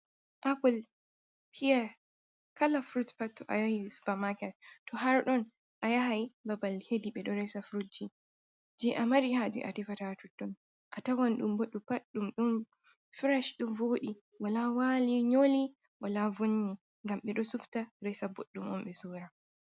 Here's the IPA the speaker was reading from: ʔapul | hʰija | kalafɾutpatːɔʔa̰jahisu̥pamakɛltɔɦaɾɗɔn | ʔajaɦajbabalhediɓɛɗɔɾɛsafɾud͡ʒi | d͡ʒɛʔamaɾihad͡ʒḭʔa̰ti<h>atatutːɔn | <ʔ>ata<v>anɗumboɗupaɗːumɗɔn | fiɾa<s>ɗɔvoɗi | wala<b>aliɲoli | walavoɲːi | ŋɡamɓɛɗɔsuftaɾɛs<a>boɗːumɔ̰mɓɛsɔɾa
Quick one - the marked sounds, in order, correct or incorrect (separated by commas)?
incorrect, correct, incorrect, incorrect, incorrect, correct